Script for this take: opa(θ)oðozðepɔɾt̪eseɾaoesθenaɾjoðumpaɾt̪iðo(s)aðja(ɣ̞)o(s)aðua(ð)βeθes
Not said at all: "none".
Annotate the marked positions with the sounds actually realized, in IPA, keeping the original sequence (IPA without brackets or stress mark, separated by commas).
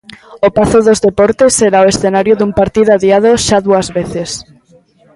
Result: θ, none, ð̞, ʃ, z